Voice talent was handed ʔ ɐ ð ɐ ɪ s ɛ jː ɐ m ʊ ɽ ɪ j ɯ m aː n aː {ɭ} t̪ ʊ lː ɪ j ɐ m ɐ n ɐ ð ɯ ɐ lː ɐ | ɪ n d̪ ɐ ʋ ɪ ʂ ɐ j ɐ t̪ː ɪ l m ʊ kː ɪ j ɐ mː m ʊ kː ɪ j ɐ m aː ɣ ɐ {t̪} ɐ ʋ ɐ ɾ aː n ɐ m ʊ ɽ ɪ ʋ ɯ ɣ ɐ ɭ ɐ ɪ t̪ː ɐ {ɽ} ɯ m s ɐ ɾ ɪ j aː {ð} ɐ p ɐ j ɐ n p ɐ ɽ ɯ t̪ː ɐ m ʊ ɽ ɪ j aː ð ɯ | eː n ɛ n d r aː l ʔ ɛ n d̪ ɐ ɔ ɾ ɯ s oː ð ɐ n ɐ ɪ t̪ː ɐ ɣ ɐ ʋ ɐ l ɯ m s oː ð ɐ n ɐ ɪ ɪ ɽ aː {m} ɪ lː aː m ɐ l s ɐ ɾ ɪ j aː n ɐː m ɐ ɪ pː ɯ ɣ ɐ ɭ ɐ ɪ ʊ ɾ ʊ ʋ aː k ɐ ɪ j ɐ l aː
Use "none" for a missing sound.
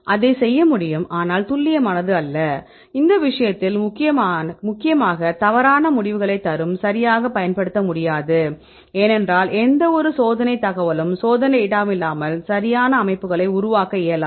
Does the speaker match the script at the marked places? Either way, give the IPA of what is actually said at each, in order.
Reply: l, t̪, ɾ, ɣ, m

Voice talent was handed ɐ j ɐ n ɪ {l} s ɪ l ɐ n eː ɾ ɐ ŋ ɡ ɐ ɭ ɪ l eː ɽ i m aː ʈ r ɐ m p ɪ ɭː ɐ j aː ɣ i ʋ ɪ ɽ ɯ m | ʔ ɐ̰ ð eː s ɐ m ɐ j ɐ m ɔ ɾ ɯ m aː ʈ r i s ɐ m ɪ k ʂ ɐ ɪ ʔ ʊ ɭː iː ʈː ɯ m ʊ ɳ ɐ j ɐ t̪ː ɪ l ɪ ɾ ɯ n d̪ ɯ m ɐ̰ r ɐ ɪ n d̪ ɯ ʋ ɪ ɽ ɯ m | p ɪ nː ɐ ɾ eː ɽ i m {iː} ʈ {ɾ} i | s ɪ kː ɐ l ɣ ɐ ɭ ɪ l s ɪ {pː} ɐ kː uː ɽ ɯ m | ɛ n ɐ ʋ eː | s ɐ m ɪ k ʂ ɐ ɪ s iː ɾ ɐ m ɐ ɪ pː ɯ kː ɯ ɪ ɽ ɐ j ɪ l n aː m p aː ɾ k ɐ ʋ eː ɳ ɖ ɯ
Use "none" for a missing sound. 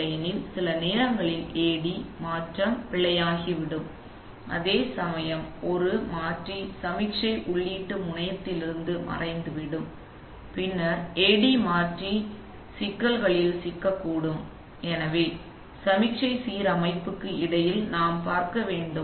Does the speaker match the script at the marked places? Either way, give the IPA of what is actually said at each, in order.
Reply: l, aː, r, kː

